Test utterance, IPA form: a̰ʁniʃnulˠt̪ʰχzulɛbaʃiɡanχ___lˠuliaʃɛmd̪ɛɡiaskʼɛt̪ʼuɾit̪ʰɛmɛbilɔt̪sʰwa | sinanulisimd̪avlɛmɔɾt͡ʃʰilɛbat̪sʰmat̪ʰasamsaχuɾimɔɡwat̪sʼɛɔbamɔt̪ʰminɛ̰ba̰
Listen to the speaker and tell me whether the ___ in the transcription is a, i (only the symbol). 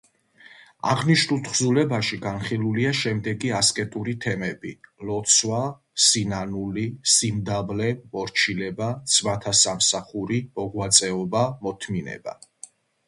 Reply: i